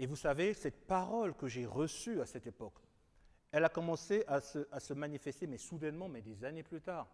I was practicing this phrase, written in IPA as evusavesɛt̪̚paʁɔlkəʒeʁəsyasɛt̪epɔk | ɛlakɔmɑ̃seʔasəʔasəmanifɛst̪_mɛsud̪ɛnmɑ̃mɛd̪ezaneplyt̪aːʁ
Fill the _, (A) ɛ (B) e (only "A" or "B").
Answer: B